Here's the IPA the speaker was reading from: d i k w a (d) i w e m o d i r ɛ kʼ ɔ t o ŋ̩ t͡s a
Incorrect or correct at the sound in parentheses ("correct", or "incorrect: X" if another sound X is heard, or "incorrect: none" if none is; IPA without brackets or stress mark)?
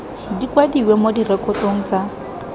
correct